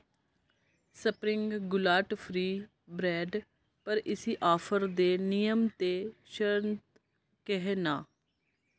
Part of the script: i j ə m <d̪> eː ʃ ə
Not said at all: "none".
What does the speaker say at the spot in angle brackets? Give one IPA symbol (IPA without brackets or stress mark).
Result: t̪